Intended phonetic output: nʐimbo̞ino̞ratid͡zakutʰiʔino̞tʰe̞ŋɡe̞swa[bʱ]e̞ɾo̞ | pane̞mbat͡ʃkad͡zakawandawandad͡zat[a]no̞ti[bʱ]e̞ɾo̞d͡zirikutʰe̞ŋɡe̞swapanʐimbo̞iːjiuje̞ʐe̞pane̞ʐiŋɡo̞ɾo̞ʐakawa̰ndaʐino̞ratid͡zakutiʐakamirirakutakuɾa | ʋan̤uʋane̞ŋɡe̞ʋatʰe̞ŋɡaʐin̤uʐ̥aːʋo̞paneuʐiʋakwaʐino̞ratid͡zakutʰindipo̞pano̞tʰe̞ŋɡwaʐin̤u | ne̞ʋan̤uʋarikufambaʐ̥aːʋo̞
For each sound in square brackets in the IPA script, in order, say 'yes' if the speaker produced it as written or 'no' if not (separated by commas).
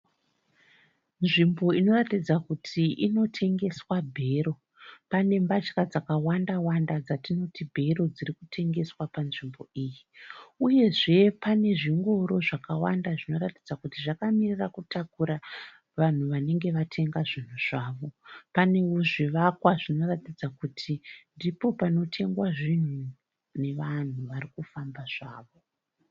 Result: yes, no, yes